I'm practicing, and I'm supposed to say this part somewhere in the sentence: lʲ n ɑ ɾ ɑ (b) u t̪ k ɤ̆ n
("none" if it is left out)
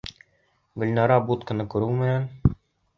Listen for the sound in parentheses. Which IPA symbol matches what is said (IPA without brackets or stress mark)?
b